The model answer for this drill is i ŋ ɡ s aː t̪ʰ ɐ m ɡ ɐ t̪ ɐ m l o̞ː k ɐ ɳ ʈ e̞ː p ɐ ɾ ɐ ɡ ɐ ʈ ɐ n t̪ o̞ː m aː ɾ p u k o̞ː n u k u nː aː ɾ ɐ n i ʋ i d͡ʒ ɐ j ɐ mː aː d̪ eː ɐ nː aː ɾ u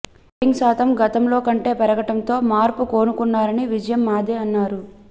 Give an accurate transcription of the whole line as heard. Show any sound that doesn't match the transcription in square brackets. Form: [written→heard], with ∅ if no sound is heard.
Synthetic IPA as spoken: i ŋ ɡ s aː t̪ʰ ɐ m ɡ ɐ t̪ ɐ m l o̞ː k ɐ ɳ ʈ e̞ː p ɐ ɾ ɐ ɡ ɐ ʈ ɐ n t̪ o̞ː m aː ɾ p u k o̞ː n u k u nː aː ɾ ɐ n i ʋ i d͡ʒ ɐ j ɐ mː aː d̪ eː ɐ nː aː ɾ u